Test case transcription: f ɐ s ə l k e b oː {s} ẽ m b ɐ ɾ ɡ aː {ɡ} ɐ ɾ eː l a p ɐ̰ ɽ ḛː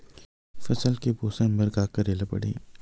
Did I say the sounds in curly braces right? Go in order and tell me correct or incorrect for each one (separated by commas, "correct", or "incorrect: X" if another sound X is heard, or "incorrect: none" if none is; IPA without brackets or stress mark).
correct, incorrect: k